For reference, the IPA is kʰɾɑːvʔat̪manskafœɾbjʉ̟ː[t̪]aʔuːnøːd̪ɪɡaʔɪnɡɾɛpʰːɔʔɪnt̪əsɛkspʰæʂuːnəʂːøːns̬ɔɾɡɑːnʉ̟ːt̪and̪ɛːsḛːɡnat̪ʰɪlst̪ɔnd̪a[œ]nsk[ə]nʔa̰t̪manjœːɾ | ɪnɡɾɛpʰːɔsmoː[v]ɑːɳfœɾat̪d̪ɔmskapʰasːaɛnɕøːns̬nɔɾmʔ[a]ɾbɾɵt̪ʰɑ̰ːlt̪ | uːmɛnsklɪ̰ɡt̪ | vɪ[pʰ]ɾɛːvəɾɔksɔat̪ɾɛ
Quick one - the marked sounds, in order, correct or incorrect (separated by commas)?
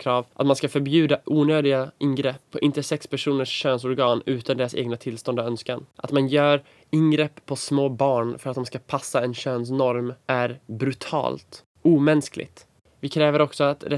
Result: incorrect, correct, incorrect, incorrect, incorrect, incorrect